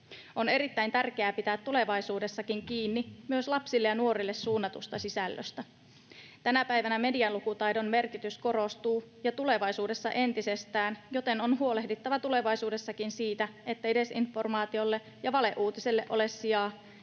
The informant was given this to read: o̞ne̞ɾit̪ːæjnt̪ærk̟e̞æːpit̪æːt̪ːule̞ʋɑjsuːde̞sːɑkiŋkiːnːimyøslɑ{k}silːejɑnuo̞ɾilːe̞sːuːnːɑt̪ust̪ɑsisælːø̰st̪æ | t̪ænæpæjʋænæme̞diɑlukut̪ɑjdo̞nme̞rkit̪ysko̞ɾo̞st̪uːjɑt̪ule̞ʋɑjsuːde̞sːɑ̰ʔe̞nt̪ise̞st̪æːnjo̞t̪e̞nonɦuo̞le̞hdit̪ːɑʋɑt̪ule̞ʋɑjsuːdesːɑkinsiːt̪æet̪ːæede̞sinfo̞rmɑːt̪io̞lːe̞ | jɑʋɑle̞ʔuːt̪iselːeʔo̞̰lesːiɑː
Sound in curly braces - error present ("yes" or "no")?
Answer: yes